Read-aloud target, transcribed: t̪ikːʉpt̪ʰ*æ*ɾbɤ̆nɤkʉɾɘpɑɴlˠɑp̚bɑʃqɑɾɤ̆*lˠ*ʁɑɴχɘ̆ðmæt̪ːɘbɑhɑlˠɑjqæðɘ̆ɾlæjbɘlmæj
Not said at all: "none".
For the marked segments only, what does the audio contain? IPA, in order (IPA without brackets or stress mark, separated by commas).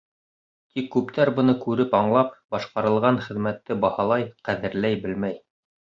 æ, lˠ